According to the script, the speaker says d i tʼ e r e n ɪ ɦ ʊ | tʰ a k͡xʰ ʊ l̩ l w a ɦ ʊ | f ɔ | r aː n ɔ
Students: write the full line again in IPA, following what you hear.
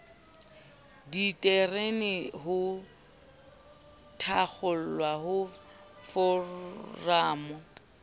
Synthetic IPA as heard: d i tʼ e r e n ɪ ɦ ʊ | tʰ a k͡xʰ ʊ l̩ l w a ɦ ʊ | f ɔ | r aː m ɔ